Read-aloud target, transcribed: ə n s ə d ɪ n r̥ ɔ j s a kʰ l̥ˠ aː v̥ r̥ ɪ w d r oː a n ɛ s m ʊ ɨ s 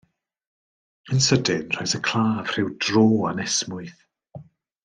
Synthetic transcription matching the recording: ə n s ə d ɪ n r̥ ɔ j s ə kʰ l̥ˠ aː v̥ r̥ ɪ w d r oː a n ɛ s m ʊ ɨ θ